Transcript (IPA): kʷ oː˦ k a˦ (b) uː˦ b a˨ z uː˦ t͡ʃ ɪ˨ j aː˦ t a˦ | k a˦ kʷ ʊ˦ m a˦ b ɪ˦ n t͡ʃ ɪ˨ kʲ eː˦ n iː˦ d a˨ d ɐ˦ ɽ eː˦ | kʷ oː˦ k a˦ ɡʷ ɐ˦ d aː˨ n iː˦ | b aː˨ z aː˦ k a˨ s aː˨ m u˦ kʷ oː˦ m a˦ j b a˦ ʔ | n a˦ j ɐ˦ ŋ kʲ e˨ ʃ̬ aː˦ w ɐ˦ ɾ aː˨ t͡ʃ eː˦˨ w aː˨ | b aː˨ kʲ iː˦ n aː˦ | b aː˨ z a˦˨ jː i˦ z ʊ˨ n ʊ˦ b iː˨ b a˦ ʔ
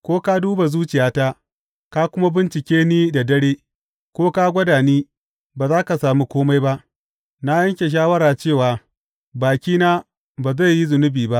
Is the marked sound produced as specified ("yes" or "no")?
no